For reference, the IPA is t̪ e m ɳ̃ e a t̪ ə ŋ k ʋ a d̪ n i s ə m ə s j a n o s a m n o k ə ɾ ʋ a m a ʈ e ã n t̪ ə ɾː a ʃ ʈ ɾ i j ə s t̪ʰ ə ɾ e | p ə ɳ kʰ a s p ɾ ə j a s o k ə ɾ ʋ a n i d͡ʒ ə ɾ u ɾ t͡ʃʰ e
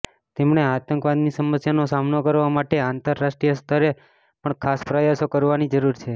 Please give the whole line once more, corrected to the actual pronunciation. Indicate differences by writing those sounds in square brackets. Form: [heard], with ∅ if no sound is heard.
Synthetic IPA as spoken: t̪ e m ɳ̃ e a t̪ ə ŋ k ʋ a d̪ n i s ə m ə s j a n o s a m n o k ə ɾ ʋ a m a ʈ e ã n t̪ ə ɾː a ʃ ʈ ɾ i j ə s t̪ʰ ə ɾ e | p ə ɳ kʰ a s p ɾ ə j a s o k ə ɾ ʋ a n i d͡ʒ ə ɾ u ɾ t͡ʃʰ e